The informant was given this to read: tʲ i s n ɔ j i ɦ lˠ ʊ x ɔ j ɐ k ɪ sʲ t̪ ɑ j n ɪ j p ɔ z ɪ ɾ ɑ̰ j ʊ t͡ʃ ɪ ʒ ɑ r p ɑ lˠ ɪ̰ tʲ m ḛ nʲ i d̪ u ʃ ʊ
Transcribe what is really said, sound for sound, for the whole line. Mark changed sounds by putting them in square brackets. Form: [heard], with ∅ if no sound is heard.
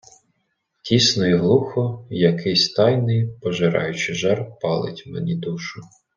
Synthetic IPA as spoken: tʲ i s n ɔ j i ɦ lˠ [u] x ɔ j ɐ k ɪ sʲ t̪ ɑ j n ɪ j p ɔ [ʒ] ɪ ɾ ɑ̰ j ʊ t͡ʃ ɪ ʒ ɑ r p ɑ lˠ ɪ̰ tʲ m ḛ nʲ i d̪ u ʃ ʊ